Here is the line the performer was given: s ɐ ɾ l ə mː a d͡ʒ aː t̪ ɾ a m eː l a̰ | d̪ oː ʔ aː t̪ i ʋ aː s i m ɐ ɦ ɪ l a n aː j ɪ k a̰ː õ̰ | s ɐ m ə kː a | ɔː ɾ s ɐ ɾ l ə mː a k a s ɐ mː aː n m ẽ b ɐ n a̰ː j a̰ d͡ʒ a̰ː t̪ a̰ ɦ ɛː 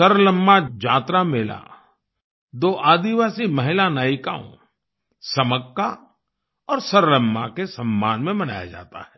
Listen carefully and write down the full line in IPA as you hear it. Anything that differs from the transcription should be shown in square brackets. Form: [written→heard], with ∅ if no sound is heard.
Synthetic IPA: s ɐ ɾ l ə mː a d͡ʒ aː t̪ ɾ a m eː l a̰ | d̪ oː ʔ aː [t̪→d̪] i ʋ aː s i m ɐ ɦ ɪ l a n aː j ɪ k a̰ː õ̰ | s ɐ m ə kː a | ɔː ɾ s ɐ ɾ l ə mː a k [a→e] s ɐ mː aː n m ẽ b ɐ n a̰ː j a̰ d͡ʒ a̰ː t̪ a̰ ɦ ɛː